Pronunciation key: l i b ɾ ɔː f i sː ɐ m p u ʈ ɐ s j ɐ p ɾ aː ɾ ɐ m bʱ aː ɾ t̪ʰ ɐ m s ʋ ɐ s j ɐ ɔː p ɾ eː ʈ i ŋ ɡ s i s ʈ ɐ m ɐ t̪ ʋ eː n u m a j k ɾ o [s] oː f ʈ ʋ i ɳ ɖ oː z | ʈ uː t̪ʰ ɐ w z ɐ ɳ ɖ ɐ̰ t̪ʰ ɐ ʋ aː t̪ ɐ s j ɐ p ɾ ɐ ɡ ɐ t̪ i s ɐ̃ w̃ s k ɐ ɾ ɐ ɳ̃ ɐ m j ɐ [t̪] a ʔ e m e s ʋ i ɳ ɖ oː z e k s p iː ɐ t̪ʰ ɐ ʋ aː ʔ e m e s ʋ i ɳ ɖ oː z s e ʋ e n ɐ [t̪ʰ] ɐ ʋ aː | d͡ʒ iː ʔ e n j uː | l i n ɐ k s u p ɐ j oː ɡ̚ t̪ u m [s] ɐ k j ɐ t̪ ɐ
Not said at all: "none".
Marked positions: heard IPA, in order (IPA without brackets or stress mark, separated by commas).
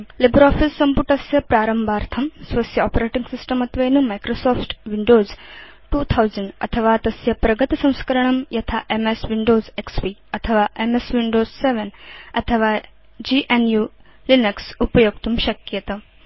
s, t̪ʰ, t̪ʰ, ʃ